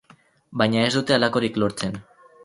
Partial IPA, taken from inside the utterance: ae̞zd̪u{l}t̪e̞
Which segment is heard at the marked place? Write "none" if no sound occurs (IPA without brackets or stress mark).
none